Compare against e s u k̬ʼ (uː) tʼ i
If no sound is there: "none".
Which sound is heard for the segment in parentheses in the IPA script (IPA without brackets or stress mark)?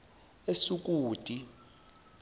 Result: uː